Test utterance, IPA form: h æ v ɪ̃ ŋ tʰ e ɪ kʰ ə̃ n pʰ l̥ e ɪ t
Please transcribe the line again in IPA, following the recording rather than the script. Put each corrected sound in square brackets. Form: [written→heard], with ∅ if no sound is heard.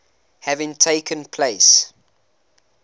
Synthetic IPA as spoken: h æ v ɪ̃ ŋ tʰ e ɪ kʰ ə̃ n pʰ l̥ e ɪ [t→s]